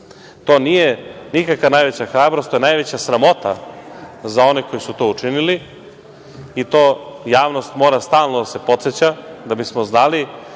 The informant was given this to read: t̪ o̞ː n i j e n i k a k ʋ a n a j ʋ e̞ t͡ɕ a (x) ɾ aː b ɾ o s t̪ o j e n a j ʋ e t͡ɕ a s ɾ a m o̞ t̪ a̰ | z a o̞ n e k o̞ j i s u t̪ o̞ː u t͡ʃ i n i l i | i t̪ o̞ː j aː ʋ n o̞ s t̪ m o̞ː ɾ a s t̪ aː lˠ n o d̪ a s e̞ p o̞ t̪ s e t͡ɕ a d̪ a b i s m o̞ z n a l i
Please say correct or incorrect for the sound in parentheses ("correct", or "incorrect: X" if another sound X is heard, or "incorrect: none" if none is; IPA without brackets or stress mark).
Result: correct